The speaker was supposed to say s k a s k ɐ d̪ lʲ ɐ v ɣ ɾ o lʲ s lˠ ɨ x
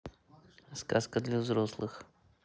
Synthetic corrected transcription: s k a s k ə d̪ lʲ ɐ v z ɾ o s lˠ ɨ x